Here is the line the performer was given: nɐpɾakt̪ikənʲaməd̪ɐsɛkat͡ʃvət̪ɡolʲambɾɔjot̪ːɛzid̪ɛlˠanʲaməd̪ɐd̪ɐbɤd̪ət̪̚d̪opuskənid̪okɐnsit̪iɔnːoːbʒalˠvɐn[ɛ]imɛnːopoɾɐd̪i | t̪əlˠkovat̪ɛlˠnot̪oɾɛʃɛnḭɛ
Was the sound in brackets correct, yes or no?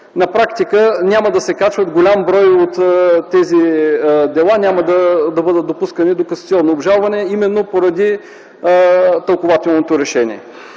yes